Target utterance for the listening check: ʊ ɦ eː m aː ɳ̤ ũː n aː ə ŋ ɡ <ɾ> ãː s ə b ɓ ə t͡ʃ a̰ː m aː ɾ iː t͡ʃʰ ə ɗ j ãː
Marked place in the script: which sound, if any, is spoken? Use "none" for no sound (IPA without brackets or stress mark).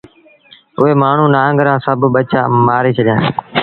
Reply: ɾ